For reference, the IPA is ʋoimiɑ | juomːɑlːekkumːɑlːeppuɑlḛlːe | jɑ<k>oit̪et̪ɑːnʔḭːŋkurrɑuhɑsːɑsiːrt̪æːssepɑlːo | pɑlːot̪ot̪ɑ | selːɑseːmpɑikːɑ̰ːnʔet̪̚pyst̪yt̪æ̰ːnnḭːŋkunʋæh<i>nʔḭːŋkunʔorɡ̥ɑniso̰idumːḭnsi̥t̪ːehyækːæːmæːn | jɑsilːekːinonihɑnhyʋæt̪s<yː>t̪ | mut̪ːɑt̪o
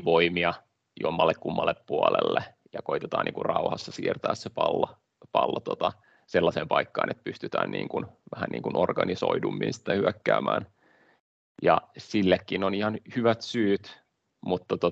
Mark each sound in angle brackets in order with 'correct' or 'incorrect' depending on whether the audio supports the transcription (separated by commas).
correct, incorrect, correct